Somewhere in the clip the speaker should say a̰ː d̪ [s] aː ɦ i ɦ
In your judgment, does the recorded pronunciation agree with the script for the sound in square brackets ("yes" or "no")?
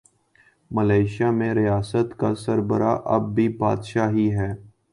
no